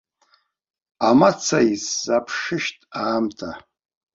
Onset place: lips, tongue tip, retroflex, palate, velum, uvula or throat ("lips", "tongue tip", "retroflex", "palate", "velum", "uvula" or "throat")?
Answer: lips